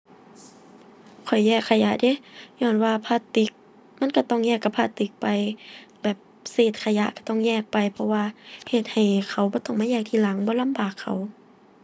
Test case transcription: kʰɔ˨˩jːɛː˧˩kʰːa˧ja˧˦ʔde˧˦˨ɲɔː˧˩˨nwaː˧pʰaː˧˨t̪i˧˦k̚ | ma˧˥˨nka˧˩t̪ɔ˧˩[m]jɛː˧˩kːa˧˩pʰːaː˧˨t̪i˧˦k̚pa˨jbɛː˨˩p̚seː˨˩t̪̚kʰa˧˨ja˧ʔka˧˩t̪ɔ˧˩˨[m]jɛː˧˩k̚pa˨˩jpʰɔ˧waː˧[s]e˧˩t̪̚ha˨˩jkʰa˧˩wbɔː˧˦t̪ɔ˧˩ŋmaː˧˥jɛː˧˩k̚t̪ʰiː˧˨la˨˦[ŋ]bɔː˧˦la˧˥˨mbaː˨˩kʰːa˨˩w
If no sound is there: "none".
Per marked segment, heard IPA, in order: ŋ, ŋ, h, ŋ

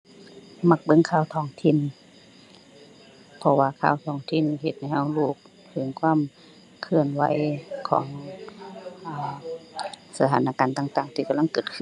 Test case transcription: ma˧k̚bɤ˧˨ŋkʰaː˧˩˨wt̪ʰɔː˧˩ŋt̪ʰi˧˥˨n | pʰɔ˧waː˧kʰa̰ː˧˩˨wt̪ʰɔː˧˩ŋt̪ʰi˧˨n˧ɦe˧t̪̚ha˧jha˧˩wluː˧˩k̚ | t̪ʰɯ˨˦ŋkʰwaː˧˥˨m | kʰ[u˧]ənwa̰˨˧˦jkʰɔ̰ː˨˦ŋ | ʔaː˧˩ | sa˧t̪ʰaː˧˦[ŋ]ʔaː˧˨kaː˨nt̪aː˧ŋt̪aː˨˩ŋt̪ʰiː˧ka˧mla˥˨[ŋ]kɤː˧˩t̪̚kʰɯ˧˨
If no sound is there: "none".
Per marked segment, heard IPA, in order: ɯ˧, n, ŋ

